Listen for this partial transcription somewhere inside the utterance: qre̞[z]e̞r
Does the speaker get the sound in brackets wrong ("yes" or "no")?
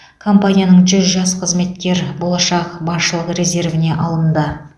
no